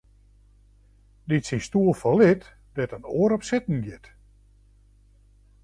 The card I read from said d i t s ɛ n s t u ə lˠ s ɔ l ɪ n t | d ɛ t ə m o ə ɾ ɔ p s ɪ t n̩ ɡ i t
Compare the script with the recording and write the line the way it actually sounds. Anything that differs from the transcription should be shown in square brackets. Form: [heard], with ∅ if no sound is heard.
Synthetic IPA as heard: d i t s [i] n s t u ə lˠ [f] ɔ l ɪ [∅] t | d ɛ t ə [n] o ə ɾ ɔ p s ɪ t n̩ ɡ [ɪ] t